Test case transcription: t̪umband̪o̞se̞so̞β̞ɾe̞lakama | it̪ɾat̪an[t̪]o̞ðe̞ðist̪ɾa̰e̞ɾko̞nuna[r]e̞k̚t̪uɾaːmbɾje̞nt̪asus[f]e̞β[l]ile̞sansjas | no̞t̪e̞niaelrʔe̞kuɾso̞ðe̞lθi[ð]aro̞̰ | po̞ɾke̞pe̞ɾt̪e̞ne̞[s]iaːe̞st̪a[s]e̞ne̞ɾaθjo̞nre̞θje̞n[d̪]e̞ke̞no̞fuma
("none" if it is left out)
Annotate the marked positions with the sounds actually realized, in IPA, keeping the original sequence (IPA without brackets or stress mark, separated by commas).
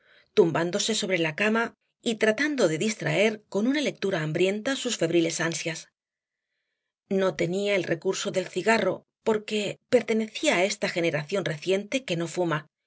d̪, l, f, ɾ, ɣ, θ, x, t̪